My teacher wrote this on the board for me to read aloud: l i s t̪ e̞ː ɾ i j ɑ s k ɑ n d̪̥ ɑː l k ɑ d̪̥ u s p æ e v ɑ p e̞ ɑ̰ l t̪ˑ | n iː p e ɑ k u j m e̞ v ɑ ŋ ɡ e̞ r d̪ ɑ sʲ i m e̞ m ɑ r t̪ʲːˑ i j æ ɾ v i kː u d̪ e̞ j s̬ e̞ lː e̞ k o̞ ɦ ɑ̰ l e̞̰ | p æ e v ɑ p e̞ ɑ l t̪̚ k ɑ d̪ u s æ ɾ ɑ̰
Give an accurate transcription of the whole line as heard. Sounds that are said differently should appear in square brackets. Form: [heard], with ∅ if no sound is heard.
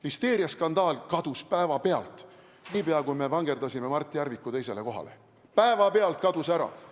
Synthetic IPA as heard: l i s t̪ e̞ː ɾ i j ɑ s k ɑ n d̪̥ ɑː l k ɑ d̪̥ u s p æ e v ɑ p e̞ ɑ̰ l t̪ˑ | n iː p e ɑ k u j m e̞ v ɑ ŋ ɡ e̞ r d̪ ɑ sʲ i m e̞ m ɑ r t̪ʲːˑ i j æ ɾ v i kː u [t̪] e̞ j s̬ e̞ [l] e̞ k o̞ ɦ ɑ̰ l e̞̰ | p æ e v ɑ p e̞ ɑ l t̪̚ k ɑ d̪ u s æ ɾ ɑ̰